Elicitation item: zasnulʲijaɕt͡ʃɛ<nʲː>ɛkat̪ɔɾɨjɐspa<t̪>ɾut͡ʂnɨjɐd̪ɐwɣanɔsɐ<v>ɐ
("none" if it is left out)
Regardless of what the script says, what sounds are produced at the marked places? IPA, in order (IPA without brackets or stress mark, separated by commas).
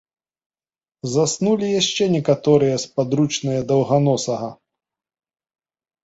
nʲ, d̪, ɣ